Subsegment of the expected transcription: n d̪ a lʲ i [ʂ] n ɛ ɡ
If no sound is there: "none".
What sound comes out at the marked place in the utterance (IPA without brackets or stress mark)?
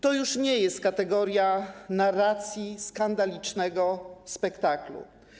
t͡ʂ